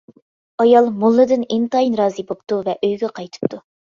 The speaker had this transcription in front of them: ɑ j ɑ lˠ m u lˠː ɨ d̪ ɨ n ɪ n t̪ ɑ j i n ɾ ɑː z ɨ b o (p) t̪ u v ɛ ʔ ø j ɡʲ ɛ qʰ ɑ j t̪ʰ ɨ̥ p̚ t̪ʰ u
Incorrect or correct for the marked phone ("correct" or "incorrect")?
correct